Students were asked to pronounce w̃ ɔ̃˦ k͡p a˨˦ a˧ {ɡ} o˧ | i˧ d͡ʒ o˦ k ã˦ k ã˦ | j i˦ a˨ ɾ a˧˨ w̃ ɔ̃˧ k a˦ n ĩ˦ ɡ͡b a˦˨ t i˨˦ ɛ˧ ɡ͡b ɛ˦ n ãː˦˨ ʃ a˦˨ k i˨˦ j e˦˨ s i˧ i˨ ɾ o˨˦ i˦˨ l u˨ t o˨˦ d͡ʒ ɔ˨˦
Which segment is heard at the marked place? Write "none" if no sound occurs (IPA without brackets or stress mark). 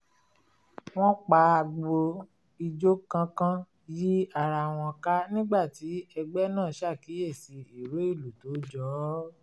ɡ͡b